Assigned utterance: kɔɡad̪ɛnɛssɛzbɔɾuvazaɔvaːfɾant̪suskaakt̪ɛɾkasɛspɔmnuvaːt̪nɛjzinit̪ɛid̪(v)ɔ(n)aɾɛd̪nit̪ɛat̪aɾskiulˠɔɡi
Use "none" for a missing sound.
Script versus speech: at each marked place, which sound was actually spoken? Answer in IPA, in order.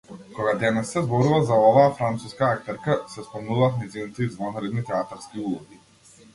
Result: v, n

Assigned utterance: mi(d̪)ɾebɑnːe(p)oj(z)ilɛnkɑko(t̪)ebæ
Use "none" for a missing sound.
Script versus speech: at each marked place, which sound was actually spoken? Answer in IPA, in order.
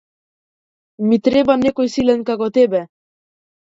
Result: t̪, k, s, t̪

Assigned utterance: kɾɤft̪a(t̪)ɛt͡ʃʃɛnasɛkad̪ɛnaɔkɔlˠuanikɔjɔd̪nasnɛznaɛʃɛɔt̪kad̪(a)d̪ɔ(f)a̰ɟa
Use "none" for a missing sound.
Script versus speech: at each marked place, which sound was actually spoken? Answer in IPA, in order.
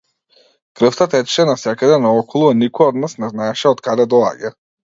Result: t̪, ɛ, none

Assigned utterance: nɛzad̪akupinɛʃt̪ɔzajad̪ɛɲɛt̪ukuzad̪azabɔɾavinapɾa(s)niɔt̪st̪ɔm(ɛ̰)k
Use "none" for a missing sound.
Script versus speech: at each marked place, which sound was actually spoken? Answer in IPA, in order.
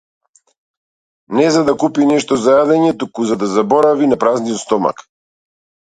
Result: z, a̰

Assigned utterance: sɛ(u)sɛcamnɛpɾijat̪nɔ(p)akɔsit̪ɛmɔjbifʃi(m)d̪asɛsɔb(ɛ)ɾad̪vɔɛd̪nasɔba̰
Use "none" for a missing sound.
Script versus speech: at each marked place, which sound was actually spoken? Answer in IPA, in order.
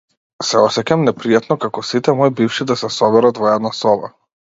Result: ɔ, k, none, ɛ

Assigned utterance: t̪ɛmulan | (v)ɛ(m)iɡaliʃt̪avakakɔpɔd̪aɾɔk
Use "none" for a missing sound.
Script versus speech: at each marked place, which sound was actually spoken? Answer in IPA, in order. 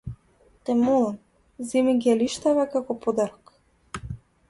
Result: z, m

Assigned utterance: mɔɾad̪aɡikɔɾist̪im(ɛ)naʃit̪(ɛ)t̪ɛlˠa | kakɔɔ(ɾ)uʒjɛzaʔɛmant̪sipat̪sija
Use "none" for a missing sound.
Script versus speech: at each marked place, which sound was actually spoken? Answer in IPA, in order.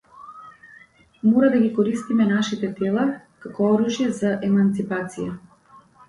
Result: ɛ, ɛ, ɾ

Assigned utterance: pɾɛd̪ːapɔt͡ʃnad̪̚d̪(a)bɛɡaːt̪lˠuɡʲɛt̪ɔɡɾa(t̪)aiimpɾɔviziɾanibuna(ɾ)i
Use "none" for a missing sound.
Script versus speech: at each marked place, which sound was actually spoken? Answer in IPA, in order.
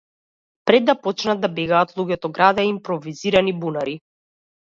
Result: a, d̪, ɾ

